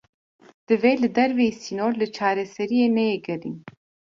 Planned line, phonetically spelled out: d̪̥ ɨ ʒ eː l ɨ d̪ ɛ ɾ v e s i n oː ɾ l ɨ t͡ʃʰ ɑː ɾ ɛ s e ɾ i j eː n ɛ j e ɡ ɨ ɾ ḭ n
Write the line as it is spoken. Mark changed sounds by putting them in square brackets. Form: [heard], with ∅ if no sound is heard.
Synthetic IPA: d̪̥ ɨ [v] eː l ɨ d̪ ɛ ɾ v e s i n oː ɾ l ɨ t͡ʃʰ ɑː ɾ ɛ s [ɛ] ɾ i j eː n ɛ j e ɡ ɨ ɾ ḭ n